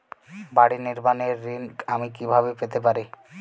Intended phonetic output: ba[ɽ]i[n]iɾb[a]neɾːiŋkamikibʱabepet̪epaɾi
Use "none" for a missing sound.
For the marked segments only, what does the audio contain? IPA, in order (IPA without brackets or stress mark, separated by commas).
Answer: ɽ, n, a